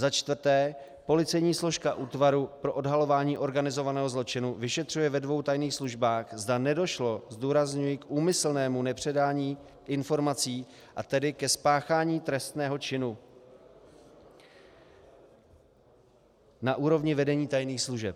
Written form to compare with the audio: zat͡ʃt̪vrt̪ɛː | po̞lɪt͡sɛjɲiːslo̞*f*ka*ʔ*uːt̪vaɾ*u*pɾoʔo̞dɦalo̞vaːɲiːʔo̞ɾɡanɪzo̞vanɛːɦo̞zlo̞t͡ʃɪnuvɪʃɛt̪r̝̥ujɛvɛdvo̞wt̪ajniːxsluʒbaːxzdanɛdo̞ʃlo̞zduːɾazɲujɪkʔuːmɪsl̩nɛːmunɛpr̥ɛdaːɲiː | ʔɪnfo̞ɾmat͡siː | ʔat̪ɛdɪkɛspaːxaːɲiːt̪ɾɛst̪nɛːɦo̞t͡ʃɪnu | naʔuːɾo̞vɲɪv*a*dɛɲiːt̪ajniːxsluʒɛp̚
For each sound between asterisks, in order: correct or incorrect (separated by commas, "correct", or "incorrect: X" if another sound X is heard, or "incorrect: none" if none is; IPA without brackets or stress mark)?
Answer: incorrect: ʃ, correct, correct, incorrect: ɛ